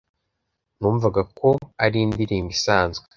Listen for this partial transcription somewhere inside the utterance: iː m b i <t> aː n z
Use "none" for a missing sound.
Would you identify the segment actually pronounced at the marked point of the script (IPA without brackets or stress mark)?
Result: s